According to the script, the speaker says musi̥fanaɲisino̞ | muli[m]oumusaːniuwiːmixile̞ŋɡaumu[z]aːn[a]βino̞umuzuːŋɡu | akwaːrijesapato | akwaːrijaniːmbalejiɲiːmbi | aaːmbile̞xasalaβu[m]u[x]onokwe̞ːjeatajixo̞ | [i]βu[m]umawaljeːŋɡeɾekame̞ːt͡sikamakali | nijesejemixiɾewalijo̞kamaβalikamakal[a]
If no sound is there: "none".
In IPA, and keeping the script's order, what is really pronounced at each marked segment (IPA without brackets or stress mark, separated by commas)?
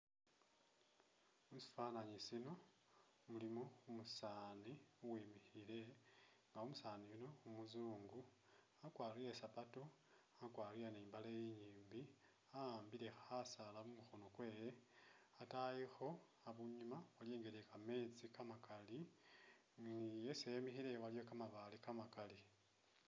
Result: m, s, i, m, x, a, ɲ, i